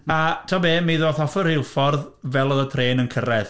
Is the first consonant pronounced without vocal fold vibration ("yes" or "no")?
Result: yes